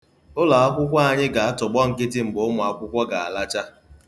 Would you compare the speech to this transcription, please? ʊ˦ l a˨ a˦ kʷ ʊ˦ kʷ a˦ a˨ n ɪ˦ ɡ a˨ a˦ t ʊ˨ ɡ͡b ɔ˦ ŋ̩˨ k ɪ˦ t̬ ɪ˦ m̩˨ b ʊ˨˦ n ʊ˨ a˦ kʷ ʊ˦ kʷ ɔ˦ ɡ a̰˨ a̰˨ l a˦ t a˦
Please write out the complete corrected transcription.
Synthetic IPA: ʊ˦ l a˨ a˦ kʷ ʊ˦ kʷ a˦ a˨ ɲ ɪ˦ ɡ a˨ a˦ t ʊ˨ ɡ͡b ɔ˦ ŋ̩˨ k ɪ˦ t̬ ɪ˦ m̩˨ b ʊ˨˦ m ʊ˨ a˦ kʷ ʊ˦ kʷ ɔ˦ ɡ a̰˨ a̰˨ l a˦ t͡ʃ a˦